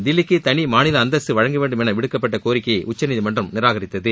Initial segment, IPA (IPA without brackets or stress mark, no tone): d̪